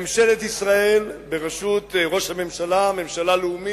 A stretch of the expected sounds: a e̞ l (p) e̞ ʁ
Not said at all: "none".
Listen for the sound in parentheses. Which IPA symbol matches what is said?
b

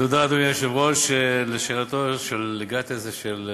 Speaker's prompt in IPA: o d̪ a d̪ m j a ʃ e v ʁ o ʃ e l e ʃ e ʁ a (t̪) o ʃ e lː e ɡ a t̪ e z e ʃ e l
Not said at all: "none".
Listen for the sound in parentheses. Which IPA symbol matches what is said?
t̪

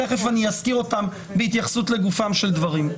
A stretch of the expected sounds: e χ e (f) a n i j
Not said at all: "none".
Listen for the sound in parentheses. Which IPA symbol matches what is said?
f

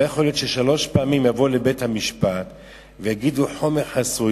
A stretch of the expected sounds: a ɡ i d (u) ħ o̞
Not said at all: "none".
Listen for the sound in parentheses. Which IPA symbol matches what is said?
u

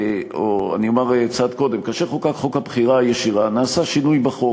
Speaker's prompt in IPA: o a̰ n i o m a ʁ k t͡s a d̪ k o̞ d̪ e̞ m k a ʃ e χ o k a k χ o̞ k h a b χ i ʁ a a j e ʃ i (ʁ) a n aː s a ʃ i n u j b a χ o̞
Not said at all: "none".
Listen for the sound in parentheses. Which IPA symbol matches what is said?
ʁ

